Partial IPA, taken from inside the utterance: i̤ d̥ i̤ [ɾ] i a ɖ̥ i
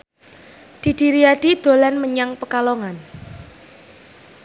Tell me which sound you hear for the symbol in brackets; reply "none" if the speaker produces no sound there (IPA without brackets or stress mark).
ɾ